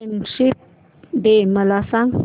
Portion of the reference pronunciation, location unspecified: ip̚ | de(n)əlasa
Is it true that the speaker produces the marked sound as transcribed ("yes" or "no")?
no